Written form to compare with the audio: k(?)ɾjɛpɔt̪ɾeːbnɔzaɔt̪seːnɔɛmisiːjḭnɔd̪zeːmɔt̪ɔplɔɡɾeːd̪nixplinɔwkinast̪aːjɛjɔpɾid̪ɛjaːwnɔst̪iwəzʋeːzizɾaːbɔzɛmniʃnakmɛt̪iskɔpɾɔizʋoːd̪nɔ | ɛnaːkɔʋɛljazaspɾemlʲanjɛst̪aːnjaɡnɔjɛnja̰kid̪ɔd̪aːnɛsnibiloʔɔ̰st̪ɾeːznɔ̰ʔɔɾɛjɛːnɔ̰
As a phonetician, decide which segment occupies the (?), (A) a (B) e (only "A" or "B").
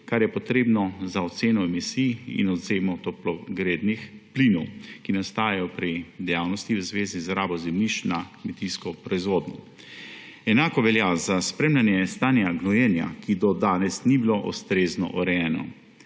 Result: A